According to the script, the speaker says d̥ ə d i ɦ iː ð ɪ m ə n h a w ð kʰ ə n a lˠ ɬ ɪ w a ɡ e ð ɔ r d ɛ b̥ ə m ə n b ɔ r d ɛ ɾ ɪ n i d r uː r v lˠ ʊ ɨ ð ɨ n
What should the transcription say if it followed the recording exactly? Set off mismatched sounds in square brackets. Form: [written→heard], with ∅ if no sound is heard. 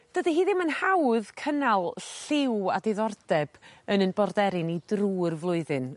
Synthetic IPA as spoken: d̥ ə d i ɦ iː ð ɪ m ə n h a w ð kʰ ə n a lˠ ɬ ɪ w a [ɡ→d] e ð ɔ r d ɛ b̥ ə [m→n] ə n b ɔ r d ɛ ɾ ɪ n i d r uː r v lˠ ʊ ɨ ð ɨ n